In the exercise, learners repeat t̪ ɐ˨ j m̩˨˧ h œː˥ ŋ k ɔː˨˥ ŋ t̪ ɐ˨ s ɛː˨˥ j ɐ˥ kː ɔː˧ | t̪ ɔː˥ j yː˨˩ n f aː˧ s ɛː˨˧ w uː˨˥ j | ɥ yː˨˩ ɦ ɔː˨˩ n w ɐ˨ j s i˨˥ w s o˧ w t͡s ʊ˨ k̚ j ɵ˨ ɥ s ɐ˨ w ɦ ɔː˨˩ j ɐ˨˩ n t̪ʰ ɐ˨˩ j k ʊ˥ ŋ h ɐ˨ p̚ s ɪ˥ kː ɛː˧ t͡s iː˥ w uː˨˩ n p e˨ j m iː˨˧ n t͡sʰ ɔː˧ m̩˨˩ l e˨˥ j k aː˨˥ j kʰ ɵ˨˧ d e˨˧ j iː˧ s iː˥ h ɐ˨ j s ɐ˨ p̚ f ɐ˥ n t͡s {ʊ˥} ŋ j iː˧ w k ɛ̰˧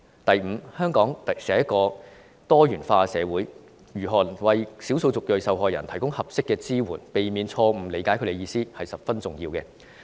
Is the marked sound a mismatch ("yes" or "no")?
yes